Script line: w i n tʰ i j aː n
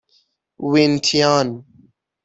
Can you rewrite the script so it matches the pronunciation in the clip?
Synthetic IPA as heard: w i n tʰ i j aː n